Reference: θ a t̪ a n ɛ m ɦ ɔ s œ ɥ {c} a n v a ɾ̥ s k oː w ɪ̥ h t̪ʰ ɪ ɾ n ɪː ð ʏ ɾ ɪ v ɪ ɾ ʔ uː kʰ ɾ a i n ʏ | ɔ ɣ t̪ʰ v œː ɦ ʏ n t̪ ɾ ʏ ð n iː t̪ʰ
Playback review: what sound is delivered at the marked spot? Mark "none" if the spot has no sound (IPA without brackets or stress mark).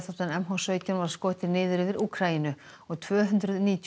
c